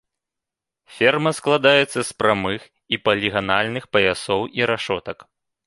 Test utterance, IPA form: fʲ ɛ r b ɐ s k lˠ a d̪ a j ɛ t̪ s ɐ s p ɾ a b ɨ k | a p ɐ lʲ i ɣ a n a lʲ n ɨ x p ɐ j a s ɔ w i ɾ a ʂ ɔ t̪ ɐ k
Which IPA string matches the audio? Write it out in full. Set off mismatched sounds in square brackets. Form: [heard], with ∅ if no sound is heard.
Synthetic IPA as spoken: fʲ ɛ r [m] ɐ s k lˠ a d̪ a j ɛ t̪ [sː] ɐ s p ɾ a [m] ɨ [x] | [i] p ɐ lʲ i ɣ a n a lʲ n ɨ x p ɐ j a s ɔ w i ɾ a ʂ ɔ t̪ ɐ k